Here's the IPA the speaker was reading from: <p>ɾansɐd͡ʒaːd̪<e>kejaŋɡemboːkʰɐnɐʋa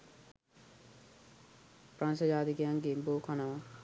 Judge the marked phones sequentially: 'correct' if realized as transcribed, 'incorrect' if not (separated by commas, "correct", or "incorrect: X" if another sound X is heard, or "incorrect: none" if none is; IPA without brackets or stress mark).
correct, incorrect: i